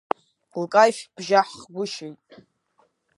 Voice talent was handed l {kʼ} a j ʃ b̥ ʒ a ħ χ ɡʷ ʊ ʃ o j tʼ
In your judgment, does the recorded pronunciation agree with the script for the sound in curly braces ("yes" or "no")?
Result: yes